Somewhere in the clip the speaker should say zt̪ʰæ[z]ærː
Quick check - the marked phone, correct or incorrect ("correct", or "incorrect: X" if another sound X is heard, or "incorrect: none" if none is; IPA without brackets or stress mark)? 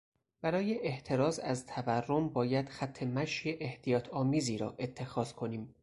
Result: incorrect: v